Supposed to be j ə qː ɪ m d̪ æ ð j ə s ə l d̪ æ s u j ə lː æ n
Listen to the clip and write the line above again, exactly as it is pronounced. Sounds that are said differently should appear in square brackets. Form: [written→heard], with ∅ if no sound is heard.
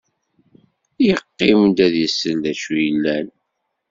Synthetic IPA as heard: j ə qː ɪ m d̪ æ ð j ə s ə l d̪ æ [s→ʃ] u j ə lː æ n